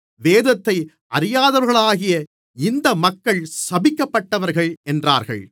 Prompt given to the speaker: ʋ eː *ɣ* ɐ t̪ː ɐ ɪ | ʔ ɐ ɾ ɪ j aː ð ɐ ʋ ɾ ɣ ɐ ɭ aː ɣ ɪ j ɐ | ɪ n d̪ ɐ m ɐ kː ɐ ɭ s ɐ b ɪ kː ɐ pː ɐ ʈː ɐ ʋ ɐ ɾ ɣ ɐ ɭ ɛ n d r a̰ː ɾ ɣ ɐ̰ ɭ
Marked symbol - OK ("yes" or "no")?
no